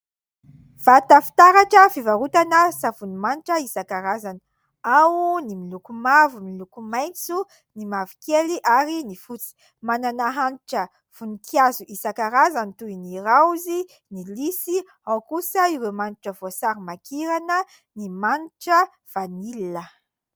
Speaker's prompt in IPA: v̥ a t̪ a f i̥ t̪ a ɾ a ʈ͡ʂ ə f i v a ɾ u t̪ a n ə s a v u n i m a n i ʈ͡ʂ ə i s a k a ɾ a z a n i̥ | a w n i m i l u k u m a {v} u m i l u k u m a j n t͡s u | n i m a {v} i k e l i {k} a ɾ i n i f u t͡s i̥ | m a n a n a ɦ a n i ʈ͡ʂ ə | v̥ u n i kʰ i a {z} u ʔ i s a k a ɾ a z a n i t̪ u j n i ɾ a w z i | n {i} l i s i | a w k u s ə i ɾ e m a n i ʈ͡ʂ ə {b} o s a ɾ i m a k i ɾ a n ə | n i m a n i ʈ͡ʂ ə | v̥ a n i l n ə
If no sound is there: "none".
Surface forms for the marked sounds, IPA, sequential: v, v, ʔ, z, i, v

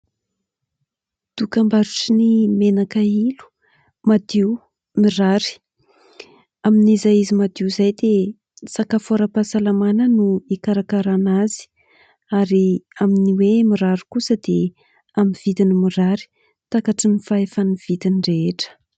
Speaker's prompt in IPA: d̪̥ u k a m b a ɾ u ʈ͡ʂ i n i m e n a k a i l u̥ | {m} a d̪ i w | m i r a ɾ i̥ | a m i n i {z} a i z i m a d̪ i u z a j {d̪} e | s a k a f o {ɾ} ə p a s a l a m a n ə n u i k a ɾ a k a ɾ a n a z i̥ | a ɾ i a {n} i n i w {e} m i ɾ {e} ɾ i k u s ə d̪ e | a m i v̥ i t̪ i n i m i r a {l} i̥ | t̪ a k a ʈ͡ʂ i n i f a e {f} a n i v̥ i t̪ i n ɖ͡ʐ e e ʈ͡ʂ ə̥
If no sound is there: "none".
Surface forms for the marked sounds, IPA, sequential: m, z, d̪, ɾ, m, e, a, ɾ, f

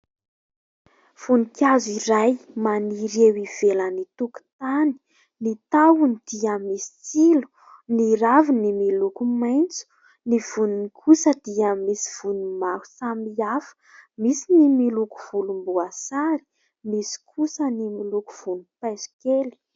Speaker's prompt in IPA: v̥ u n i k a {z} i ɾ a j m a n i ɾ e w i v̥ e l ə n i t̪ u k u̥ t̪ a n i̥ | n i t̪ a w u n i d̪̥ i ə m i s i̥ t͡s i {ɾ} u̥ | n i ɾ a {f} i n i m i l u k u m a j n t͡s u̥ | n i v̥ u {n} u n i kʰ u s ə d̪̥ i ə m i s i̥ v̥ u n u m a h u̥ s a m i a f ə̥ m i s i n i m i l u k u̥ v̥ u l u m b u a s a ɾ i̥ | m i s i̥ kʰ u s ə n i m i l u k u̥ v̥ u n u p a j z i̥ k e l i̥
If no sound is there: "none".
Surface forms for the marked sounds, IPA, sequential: z, l, v, n

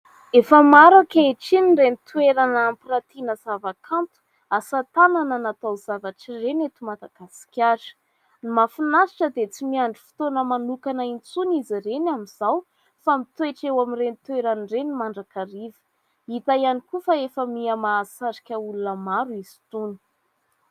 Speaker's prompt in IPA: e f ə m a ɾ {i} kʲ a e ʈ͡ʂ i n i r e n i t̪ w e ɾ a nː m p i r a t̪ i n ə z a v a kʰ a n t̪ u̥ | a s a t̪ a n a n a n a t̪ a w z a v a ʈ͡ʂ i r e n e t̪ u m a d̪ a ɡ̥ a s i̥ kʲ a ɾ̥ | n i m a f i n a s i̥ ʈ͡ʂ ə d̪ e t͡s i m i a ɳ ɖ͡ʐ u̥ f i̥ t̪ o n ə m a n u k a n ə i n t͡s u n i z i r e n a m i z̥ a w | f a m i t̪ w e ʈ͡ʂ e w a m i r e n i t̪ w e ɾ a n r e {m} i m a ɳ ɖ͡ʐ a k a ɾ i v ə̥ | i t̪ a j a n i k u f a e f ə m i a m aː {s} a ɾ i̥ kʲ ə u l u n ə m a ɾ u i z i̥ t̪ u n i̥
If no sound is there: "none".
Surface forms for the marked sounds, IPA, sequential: a, n, s

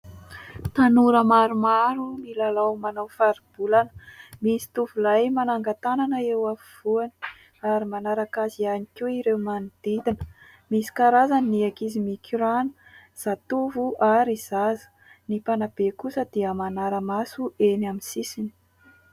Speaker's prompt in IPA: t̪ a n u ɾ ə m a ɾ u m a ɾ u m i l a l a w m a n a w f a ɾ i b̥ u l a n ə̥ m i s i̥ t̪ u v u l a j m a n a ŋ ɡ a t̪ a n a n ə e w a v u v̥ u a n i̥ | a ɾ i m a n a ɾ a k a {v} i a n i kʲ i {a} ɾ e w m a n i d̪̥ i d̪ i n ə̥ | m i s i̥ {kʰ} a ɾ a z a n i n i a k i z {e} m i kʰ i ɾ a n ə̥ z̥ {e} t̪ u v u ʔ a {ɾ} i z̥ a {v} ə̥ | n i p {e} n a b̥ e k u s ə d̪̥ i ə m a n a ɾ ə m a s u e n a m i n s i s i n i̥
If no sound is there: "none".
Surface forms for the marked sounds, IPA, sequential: z, i, k, i, a, ɾ, z, a

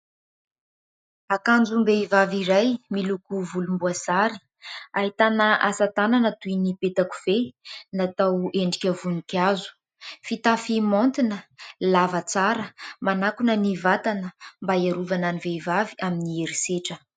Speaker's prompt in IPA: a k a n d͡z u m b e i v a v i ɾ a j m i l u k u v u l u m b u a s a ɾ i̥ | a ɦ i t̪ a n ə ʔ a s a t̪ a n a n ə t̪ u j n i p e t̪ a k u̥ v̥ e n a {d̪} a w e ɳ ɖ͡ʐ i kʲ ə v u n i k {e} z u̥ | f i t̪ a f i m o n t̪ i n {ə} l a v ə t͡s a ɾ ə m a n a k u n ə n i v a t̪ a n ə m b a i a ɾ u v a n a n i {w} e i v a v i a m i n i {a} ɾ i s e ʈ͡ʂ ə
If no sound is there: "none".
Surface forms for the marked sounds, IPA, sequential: t̪, a, ə, v, e

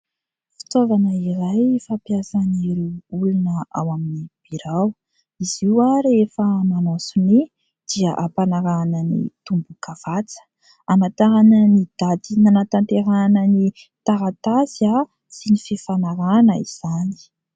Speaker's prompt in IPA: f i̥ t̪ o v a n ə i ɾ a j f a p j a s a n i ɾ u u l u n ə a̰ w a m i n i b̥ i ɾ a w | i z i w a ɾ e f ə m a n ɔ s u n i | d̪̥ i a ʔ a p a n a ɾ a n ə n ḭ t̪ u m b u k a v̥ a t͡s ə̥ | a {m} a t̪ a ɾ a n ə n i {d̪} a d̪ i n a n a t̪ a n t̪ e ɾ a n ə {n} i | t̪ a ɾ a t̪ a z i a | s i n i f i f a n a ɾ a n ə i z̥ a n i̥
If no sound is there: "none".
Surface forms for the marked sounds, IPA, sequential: m, d̪, n

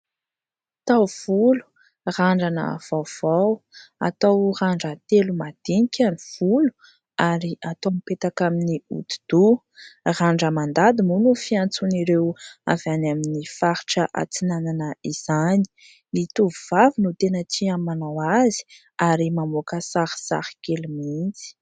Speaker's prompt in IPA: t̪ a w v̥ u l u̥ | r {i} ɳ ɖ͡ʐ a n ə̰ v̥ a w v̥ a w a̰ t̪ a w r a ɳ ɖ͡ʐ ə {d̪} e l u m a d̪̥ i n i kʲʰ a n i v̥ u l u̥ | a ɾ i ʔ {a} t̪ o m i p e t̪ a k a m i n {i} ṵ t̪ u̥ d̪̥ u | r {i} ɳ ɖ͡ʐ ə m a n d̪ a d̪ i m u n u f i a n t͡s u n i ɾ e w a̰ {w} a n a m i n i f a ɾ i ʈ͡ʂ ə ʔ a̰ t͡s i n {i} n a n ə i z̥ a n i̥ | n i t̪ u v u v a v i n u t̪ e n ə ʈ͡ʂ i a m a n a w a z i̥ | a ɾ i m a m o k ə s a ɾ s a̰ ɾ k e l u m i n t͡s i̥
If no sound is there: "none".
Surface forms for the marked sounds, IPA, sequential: a, t̪, a, i, a, v, a

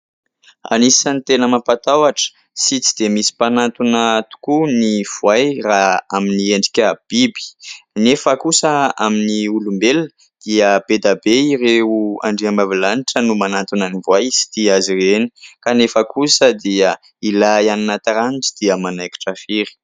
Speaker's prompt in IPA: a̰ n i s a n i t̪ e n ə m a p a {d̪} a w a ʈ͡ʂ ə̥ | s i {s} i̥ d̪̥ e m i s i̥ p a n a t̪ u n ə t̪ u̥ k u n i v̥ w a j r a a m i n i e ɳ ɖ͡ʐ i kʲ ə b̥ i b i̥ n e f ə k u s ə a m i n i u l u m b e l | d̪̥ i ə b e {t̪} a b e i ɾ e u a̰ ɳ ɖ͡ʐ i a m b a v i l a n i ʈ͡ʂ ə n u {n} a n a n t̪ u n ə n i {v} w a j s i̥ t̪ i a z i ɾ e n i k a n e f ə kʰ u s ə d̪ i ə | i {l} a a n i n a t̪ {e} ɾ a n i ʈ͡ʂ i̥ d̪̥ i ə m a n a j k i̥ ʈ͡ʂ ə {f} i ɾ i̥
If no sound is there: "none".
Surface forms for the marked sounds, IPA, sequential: t̪, t͡s, d̪, m, v, l, a, f

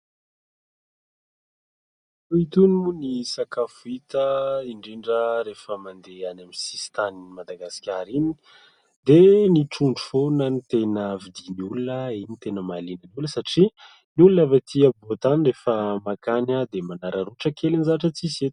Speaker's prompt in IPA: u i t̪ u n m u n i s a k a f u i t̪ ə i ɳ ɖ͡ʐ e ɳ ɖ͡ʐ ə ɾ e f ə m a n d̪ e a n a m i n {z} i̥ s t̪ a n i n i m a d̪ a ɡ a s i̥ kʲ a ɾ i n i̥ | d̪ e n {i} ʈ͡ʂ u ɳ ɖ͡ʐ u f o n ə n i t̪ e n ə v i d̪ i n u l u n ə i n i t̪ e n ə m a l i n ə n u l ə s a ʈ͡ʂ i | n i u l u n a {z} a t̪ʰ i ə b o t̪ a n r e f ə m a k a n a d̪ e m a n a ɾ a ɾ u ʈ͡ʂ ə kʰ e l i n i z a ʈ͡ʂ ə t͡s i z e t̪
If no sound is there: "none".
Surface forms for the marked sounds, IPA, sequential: s, i, v

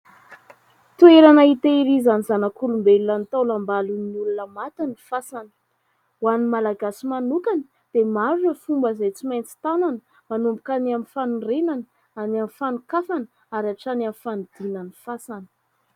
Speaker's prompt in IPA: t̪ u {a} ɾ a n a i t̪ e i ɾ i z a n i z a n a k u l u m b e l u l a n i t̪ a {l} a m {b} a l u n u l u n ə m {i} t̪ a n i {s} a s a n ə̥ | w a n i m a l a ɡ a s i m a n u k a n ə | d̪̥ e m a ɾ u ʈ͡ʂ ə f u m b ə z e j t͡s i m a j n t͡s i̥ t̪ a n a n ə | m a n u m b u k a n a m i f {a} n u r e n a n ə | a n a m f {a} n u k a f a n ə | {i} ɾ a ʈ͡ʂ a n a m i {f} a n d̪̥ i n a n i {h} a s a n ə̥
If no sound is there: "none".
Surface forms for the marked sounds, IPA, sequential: e, l, b, a, f, a, a, a, f, f

